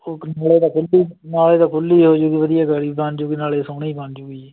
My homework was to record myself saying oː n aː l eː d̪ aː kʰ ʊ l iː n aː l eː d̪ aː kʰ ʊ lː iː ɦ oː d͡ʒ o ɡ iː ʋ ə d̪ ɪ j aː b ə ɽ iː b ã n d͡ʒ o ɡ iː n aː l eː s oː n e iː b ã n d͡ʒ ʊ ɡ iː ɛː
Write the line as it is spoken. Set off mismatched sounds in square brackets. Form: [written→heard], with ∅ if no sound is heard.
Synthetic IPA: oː n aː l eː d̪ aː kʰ ʊ l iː n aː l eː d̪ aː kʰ ʊ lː iː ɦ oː d͡ʒ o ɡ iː ʋ ə d̪ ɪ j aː [b→ɡ] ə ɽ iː b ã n d͡ʒ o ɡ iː n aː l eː s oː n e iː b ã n d͡ʒ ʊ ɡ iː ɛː